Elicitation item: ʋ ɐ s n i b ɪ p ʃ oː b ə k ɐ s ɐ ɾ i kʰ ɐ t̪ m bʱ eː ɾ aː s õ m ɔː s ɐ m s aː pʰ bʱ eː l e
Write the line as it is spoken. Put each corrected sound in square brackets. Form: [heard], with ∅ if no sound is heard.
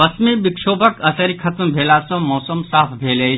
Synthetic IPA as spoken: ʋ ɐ s [m] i b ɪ [k] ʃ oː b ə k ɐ s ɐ ɾ i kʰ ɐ t̪ m bʱ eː [l] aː s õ m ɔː s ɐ m s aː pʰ bʱ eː l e

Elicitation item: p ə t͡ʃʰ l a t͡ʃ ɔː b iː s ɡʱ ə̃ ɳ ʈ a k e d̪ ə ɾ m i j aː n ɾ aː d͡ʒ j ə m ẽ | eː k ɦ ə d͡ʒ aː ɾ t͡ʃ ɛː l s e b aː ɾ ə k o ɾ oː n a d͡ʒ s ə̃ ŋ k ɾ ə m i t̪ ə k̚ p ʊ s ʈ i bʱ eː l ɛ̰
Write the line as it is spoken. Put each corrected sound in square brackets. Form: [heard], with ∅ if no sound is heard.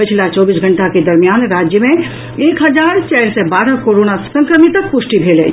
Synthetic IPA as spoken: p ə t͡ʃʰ l a t͡ʃ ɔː b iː s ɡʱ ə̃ ɳ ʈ a k e d̪ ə ɾ m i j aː n ɾ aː d͡ʒ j ə m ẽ | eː k ɦ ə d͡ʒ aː ɾ t͡ʃ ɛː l s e b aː ɾ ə k o ɾ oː n a [∅] s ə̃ ŋ k ɾ ə m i t̪ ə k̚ p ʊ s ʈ i bʱ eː l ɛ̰

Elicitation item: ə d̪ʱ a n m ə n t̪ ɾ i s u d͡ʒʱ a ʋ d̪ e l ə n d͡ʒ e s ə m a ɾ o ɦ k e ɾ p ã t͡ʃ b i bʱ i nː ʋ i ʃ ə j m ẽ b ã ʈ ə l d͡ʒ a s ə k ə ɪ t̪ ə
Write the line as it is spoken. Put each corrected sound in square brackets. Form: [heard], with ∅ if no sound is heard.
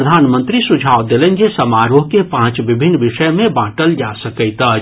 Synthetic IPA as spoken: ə d̪ʱ a n m ə n t̪ ɾ i s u d͡ʒʱ a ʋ d̪ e l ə n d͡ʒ e s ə m a ɾ o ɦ k e [∅] p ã t͡ʃ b i bʱ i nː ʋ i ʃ ə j m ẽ b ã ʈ ə l d͡ʒ a s ə k ə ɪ t̪ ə

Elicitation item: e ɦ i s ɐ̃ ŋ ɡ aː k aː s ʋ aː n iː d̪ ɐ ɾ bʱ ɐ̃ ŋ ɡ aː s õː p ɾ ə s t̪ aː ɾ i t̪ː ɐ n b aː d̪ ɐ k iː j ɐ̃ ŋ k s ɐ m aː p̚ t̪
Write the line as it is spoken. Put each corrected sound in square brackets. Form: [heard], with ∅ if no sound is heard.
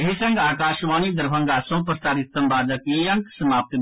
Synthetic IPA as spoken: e ɦ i s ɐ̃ ŋ ɡ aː k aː [ʃ] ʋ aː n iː d̪ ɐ ɾ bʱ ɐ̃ ŋ ɡ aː s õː p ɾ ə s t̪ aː ɾ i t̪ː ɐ [m] b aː d̪ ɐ k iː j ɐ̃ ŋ k s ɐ m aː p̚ t̪

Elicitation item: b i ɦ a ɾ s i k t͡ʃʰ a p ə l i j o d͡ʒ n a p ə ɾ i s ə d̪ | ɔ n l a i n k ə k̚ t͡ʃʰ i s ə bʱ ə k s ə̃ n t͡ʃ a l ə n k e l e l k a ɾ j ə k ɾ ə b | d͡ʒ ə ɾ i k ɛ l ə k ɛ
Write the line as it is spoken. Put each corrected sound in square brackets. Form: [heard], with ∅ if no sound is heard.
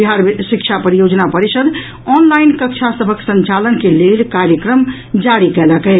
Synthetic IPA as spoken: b i ɦ a ɾ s i k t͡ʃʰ a p ə [ɾ] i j o d͡ʒ n a p ə ɾ i s ə d̪ | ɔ n l a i n k ə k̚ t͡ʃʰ [a] s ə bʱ ə k s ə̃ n t͡ʃ a l ə n k e l e l k a ɾ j ə k ɾ ə [m] | d͡ʒ [a] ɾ i k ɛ l ə k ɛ

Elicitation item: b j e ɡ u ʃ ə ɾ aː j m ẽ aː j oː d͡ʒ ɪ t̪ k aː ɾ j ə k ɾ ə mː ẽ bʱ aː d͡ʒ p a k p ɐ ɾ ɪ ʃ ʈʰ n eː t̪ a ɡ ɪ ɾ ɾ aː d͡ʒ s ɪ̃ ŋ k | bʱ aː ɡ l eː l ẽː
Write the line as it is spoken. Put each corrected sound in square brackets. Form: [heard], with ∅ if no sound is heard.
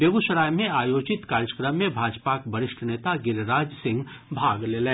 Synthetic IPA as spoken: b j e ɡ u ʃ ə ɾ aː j m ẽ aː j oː d͡ʒ ɪ t̪ k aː ɾ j ə k ɾ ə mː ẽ bʱ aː d͡ʒ p a k [b] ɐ ɾ ɪ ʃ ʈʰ n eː t̪ a ɡ ɪ ɾ ɾ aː d͡ʒ s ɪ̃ ŋ [ɡ] | bʱ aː ɡ l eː l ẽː

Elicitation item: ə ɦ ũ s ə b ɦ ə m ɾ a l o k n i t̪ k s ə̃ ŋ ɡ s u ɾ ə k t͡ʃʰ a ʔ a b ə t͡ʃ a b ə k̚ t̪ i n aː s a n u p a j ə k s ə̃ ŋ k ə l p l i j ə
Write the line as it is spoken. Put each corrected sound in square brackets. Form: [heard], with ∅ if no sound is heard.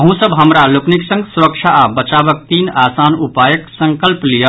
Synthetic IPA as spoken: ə ɦ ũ s ə b ɦ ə m ɾ a l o k n i [∅] k s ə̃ ŋ ɡ s u ɾ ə k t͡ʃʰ a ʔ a b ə t͡ʃ a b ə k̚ t̪ i n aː s a n u p a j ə k s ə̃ ŋ k ə l p l i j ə

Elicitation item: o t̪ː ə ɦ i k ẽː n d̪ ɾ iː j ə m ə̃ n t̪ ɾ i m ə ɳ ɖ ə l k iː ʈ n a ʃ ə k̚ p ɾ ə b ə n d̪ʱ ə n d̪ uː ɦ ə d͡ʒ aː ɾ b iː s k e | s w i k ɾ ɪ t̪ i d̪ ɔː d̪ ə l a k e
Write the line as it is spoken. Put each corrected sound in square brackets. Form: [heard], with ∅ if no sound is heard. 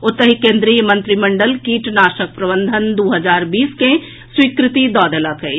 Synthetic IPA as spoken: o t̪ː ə ɦ i k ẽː n d̪ ɾ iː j ə m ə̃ n t̪ ɾ i m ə ɳ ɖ ə l k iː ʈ n a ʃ ə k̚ p ɾ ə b ə n d̪ʱ ə n d̪ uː ɦ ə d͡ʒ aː ɾ b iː s k e | s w i k ɾ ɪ t̪ i d̪ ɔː d̪ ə l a k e

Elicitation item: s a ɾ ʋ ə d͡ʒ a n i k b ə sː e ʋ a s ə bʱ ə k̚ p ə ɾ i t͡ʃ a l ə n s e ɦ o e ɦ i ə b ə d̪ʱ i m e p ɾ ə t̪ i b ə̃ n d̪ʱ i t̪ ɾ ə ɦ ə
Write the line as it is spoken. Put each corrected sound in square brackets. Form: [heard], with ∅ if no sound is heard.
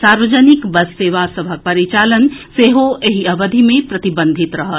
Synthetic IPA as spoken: s a ɾ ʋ ə d͡ʒ [ə] n i k b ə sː e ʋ a s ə bʱ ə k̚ p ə ɾ i t͡ʃ a l ə n s e ɦ o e ɦ i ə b ə d̪ʱ i m e p ɾ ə t̪ i b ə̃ n d̪ʱ i t̪ ɾ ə ɦ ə

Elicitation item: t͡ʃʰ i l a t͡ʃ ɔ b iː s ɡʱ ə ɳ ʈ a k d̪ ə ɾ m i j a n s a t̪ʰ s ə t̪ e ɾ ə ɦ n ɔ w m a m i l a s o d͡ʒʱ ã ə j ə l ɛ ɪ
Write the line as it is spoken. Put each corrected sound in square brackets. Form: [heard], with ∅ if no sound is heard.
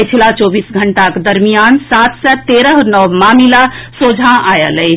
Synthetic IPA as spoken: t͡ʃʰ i l a t͡ʃ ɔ b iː s ɡʱ ə ɳ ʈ a k d̪ ə ɾ m i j a n s a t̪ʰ s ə t̪ e ɾ ə ɦ n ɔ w m a m i l a s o d͡ʒʱ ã [a] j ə l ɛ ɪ

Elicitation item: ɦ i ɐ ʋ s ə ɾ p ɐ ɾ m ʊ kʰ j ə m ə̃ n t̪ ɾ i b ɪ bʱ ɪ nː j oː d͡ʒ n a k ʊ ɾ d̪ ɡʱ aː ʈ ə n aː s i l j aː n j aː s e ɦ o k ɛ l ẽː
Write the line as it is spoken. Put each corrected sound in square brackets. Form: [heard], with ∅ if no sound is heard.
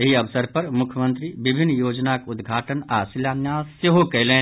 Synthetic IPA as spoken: ɦ i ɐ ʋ s ə ɾ p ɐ ɾ m ʊ kʰ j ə m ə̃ n t̪ ɾ i b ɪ bʱ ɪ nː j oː d͡ʒ n a k ʊ [∅] d̪ ɡʱ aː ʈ ə n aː s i l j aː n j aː s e ɦ o k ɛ l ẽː

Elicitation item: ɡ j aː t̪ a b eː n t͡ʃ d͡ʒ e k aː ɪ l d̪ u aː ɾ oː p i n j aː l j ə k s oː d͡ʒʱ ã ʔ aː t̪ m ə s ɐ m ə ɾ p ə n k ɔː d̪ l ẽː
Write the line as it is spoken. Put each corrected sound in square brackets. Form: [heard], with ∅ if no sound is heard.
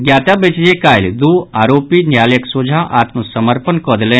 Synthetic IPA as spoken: ɡ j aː t̪ a b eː [∅] t͡ʃ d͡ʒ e k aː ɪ l d̪ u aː ɾ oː p i n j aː l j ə k s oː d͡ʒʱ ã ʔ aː t̪ m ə s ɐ m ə ɾ p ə n k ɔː d̪ l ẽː

